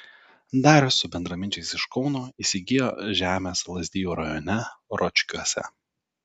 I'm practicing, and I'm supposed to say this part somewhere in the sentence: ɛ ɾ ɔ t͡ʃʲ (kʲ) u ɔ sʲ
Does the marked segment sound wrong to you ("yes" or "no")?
no